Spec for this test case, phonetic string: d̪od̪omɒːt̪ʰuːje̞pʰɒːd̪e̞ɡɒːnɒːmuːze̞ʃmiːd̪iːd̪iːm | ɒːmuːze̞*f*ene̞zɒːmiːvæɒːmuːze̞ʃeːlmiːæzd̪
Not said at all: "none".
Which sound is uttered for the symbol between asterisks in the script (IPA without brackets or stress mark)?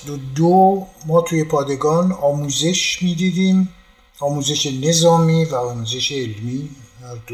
ʃ